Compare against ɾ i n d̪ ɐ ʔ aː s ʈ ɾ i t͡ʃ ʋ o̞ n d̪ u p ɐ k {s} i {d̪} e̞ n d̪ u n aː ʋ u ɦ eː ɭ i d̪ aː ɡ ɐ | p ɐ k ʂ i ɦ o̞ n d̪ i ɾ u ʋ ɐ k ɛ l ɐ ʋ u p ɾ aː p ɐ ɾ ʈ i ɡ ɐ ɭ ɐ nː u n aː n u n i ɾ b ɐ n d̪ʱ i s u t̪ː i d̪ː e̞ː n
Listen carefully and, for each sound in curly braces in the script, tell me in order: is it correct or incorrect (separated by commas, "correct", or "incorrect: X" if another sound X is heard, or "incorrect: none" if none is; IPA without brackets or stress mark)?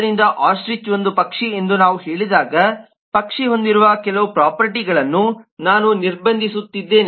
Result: incorrect: ʂ, incorrect: none